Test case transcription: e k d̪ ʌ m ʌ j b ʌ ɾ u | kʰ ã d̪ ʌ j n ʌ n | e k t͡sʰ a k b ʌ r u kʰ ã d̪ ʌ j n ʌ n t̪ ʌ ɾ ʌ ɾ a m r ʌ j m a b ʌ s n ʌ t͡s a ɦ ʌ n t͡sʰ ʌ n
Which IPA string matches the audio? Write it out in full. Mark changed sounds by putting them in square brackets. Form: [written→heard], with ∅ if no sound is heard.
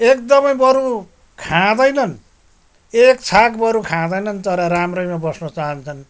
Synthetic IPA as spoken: e k d̪ ʌ m ʌ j b ʌ ɾ u | kʰ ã d̪ ʌ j n ʌ n | e k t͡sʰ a k b ʌ [r→ɾ] u kʰ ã d̪ ʌ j n ʌ n t̪ ʌ ɾ ʌ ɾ a m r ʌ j m a b ʌ s n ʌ t͡s a ɦ ʌ n t͡sʰ ʌ n

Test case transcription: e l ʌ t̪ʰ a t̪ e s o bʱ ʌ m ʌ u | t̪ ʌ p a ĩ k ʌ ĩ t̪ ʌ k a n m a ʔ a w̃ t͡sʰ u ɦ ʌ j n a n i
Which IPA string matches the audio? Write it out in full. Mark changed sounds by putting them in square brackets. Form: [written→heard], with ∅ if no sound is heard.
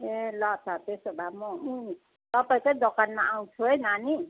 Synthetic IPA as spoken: e l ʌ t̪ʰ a t̪ e s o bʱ [ʌ→a] m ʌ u | t̪ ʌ p a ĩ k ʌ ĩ [t̪→d̪] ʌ k a n m a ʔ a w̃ t͡sʰ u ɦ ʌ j n a n i

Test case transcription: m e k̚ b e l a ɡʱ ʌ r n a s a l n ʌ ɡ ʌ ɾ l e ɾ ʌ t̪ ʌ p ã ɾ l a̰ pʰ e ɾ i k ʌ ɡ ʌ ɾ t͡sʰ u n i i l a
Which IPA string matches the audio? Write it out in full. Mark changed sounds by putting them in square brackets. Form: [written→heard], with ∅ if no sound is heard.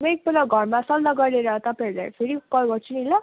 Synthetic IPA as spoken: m e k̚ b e l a ɡʱ ʌ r [n→m] a s [a→ʌ] l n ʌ ɡ ʌ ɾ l e ɾ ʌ t̪ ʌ p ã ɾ l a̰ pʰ e ɾ i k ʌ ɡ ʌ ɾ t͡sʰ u n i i l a

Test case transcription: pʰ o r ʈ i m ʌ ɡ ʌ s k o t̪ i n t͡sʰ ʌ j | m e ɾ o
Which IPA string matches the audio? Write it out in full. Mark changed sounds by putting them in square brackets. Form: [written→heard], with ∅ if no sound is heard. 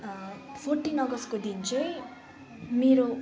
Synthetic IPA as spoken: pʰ o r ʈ i [m→n] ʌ ɡ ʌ s k o [t̪→d̪] i n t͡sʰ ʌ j | m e ɾ o

